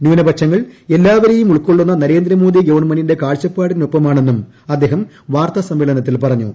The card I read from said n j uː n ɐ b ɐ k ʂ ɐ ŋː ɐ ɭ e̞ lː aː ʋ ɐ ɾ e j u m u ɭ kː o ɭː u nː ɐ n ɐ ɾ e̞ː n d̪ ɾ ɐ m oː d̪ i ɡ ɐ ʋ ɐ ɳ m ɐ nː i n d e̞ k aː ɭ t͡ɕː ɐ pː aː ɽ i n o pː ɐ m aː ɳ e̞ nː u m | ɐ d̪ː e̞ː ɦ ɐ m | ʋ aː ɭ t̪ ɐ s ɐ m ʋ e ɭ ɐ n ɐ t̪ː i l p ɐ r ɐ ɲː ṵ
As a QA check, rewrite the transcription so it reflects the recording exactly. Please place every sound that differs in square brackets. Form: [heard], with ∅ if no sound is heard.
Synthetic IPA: n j uː n ɐ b ɐ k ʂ ɐ ŋː ɐ ɭ e̞ lː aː ʋ ɐ ɾ e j u m u ɭ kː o ɭː u nː ɐ n ɐ ɾ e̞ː n d̪ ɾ ɐ m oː d̪ i ɡ ɐ ʋ ɐ ɳ m ɐ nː i n d e̞ k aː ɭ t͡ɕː ɐ pː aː ɽ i n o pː ɐ m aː ɳ e̞ nː u m | ɐ d̪ː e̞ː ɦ ɐ m | ʋ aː [r] t̪ ɐ s ɐ m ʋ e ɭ ɐ n ɐ t̪ː i l p ɐ r ɐ ɲː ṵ